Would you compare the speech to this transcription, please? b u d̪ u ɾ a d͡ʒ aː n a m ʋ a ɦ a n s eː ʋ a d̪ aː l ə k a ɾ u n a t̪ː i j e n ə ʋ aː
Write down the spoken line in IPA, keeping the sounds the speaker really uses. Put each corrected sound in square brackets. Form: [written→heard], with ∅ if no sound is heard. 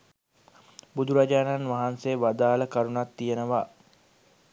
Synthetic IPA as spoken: b u d̪ u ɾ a d͡ʒ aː n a [m→n] ʋ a ɦ a n s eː ʋ a d̪ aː l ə k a ɾ u n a t̪ː i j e n ə ʋ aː